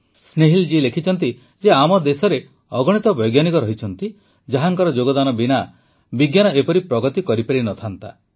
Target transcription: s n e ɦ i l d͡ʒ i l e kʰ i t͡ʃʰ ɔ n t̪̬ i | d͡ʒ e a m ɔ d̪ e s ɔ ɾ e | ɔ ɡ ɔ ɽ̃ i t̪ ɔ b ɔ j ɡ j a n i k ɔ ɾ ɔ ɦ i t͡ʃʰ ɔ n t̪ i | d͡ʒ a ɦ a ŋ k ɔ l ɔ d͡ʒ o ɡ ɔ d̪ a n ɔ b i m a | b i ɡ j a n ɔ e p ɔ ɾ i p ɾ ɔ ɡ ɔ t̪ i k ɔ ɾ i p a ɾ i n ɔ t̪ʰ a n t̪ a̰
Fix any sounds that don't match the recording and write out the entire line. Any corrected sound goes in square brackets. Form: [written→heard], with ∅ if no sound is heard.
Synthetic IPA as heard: s n e ɦ i l d͡ʒ i l e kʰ i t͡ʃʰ ɔ n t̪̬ i | d͡ʒ e a m ɔ d̪ e s ɔ ɾ e | ɔ ɡ ɔ ɽ̃ i t̪ ɔ b ɔ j ɡ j a n i k ɔ ɾ ɔ ɦ i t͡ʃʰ ɔ n t̪ i | d͡ʒ a ɦ a ŋ k ɔ [l→ɾ] ɔ d͡ʒ o ɡ ɔ d̪ a n ɔ b i [m→n] a | b i ɡ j a n ɔ e p ɔ ɾ i p ɾ ɔ ɡ ɔ t̪ i k ɔ ɾ i p a ɾ i n ɔ t̪ʰ a n t̪ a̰